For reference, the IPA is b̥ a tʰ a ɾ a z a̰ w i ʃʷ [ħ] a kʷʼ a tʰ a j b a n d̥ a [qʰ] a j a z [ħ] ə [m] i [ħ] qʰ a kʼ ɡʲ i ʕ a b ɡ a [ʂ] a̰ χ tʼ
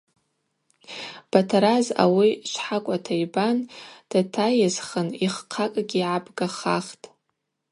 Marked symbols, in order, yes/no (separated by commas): yes, no, no, no, no, no